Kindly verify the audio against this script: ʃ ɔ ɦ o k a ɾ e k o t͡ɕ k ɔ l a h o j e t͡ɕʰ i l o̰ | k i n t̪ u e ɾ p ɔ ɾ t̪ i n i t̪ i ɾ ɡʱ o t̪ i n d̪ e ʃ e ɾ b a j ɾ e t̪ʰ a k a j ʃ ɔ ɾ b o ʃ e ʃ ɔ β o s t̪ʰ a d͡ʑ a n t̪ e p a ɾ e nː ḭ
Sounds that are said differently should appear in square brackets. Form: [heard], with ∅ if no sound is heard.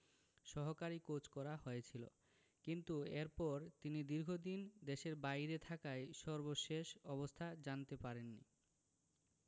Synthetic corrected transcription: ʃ ɔ ɦ o k a ɾ [i] k o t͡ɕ k ɔ [ɾ] a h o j e t͡ɕʰ i l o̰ | k i n t̪ u e ɾ p ɔ ɾ t̪ i n i [d̪] i ɾ ɡʱ o [d̪] i n d̪ e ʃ e ɾ b a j ɾ e t̪ʰ a k a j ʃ ɔ ɾ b o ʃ e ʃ ɔ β o s t̪ʰ a d͡ʑ a n t̪ e p a ɾ e nː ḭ